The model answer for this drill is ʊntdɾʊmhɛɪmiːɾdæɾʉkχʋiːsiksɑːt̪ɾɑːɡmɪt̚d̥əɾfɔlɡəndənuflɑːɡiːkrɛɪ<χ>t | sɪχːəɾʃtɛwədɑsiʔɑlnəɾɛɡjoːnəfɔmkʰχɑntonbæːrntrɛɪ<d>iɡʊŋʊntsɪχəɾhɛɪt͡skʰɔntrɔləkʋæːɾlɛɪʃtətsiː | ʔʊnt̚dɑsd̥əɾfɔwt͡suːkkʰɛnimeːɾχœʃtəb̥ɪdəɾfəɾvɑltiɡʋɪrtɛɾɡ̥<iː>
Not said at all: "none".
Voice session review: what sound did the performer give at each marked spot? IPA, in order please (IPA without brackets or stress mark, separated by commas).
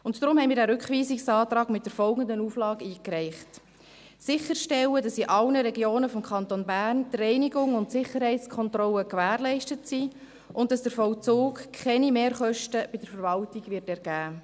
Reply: χ, n, æː